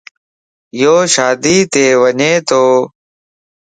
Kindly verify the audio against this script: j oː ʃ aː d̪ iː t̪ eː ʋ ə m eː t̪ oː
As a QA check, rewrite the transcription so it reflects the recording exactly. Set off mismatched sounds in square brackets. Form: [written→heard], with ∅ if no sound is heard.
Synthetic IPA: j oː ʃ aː d̪ iː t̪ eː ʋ ə [m→ɲ] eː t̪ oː